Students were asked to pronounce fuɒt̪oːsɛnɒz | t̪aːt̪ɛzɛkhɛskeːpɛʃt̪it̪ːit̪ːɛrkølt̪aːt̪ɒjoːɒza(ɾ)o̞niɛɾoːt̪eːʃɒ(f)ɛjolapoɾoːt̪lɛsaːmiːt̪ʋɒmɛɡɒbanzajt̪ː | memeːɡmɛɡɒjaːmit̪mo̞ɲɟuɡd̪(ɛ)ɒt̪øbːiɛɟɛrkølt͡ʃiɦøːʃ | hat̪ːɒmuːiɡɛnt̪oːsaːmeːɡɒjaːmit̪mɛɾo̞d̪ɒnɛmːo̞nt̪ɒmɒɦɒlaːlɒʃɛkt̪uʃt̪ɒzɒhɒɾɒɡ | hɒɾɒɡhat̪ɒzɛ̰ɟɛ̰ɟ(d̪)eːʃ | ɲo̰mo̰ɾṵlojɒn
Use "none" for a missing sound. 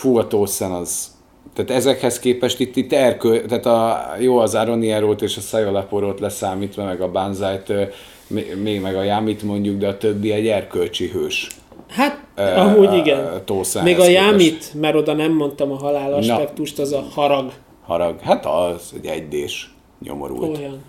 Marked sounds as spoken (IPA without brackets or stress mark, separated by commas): ɾ, s, ɛ, d̪